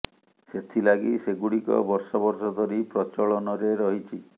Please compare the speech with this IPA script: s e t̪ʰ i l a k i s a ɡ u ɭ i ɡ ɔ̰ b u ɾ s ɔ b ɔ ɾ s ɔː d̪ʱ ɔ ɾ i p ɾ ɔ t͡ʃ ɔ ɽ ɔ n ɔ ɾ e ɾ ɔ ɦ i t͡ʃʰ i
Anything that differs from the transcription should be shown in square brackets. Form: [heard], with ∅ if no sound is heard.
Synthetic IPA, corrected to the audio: s e t̪ʰ i l a [ɡ] i s [e] ɡ u [ɽ] i [k] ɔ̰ b [ɔ] ɾ s ɔ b ɔ ɾ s [ɔ] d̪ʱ ɔ ɾ i p ɾ ɔ t͡ʃ ɔ [ɭ] ɔ n ɔ ɾ e ɾ ɔ ɦ i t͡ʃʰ i